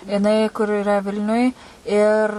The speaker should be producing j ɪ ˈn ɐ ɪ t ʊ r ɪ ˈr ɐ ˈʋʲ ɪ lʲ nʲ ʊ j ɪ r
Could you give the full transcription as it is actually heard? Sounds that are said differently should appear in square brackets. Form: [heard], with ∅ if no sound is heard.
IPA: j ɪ ˈn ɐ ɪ [k] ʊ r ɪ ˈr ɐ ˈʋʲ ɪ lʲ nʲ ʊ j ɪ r